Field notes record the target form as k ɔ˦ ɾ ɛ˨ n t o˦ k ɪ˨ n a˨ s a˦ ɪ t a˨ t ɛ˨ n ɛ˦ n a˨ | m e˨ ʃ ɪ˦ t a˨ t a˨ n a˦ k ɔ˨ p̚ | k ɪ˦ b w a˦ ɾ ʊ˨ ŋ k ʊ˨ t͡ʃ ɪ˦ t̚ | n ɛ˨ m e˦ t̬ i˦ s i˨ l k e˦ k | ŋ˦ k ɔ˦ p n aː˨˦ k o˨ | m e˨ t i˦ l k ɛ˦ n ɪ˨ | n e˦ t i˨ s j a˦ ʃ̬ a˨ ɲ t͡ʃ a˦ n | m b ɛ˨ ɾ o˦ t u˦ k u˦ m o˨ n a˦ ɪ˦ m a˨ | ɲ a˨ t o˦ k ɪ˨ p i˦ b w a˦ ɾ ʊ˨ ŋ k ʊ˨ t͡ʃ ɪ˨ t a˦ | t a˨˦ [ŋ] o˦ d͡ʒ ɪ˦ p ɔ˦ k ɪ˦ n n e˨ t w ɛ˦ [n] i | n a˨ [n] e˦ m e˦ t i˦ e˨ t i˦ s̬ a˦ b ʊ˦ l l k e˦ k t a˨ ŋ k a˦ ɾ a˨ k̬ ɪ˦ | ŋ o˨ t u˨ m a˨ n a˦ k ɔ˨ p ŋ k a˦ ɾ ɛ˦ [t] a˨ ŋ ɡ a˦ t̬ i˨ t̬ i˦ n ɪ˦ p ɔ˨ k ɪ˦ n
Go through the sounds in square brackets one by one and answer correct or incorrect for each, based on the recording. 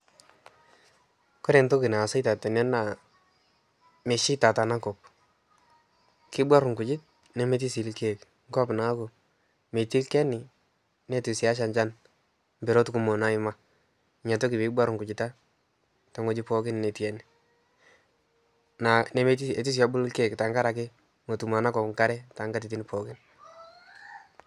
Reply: correct, correct, correct, correct

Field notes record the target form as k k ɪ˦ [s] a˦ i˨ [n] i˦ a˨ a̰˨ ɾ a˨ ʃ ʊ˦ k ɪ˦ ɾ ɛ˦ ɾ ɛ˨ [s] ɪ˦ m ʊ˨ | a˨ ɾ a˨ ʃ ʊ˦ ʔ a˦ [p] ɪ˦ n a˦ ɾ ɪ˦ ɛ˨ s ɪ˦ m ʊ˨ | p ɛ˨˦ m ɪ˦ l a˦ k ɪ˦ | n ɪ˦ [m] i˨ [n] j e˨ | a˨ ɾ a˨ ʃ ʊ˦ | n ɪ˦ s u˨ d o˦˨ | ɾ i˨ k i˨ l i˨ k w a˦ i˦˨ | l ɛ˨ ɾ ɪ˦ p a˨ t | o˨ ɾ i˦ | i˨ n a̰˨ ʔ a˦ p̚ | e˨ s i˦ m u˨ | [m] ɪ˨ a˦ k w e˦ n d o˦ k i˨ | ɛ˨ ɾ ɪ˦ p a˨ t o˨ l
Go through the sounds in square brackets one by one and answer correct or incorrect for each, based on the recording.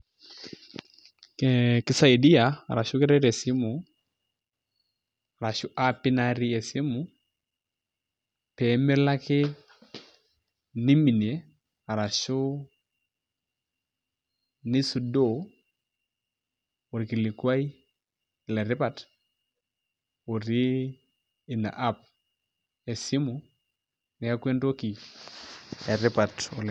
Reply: correct, incorrect: d, correct, correct, correct, correct, incorrect: n

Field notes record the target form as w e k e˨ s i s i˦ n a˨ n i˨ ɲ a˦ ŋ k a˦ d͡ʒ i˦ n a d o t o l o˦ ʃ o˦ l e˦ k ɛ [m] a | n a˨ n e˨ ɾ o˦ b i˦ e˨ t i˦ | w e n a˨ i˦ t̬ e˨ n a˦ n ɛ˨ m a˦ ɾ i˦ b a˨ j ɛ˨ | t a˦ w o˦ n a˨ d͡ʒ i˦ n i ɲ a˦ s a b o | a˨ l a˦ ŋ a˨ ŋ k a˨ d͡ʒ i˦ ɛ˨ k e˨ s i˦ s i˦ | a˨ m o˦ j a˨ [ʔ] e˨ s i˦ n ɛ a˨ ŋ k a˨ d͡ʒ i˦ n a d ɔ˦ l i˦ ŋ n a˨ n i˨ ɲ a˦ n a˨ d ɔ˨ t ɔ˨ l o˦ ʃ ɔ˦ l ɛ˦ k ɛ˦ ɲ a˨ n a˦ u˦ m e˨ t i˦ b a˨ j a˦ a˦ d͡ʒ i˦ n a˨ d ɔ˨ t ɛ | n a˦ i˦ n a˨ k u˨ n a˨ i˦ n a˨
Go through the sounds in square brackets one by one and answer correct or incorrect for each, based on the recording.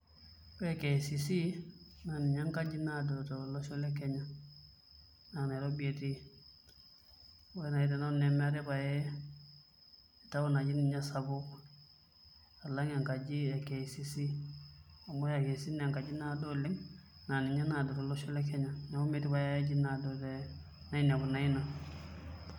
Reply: incorrect: ɲ, incorrect: k

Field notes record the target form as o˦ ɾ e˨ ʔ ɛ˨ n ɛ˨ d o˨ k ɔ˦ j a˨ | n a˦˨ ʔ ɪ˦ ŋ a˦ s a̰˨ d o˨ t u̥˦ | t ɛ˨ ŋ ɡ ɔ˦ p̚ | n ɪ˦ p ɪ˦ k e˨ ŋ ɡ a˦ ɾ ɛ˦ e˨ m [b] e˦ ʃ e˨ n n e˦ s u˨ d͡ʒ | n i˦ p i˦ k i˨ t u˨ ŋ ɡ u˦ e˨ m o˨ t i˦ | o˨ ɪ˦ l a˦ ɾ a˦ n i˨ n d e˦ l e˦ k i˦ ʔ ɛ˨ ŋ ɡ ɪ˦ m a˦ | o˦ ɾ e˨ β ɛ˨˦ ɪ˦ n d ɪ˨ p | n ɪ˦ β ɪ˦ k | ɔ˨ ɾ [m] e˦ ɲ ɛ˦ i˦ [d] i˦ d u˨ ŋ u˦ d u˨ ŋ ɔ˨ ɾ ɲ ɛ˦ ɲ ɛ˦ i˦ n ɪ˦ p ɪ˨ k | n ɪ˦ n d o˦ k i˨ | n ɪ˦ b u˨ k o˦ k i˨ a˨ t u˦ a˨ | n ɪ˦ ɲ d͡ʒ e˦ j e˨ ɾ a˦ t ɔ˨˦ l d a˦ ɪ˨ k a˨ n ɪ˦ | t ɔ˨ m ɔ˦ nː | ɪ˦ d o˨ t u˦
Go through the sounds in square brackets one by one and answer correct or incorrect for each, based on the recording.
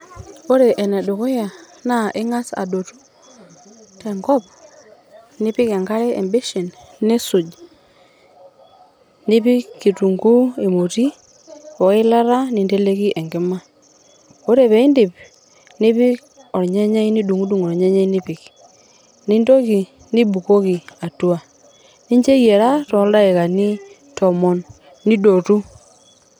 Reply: correct, incorrect: ɲ, incorrect: n

